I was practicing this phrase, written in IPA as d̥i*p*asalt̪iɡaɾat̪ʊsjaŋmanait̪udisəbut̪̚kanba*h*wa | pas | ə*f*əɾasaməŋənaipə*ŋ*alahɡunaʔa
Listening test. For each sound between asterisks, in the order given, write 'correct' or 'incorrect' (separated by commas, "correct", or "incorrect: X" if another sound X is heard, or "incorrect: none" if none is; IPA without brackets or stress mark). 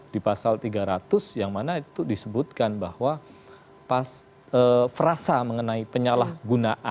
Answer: correct, correct, correct, incorrect: ɲ